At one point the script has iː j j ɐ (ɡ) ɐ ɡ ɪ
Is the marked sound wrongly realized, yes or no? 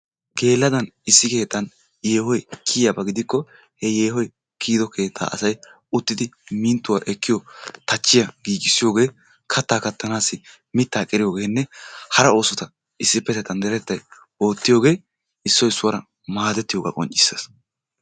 yes